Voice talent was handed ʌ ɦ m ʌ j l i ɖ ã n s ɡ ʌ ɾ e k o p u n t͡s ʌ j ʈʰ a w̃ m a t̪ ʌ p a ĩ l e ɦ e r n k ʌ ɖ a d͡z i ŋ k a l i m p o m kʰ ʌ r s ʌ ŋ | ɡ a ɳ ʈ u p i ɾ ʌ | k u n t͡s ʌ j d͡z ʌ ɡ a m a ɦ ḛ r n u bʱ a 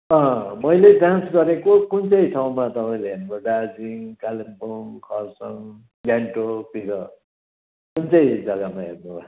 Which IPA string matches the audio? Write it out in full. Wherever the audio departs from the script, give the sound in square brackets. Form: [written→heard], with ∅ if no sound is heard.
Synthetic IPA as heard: ʌ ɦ m ʌ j l [i→e] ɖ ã n s ɡ ʌ ɾ e k o [p→k] u n t͡s ʌ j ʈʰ a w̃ m a t̪ ʌ p a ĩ l e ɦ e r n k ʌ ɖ a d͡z i ŋ k a l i m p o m kʰ ʌ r s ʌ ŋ | ɡ a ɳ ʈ [u→o] p i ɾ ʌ | k u n t͡s ʌ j d͡z ʌ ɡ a m a ɦ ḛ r n u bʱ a